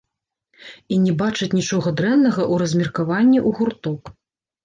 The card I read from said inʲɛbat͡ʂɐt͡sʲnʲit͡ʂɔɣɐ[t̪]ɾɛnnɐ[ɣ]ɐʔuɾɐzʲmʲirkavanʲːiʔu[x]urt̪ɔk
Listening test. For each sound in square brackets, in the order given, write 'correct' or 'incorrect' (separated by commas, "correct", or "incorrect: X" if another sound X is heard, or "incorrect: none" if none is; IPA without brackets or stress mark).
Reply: incorrect: d̪, correct, incorrect: ɣ